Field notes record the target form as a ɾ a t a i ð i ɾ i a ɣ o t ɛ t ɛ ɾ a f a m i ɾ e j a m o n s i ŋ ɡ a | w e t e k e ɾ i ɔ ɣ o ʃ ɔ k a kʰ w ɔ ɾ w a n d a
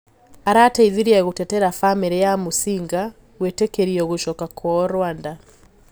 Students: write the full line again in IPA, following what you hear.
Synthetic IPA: a ɾ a t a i ð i ɾ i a ɣ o t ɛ t ɛ ɾ a f a m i ɾ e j a m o s i ŋ ɡ a | w e t e k e ɾ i ɔ ɣ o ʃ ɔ k a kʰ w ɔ ɾ w a n d a